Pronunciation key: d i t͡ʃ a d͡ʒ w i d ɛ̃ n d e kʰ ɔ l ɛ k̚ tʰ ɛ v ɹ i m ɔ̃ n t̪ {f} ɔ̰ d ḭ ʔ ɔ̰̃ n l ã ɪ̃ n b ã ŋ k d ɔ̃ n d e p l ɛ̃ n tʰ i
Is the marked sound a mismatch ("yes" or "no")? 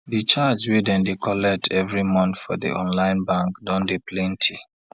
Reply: no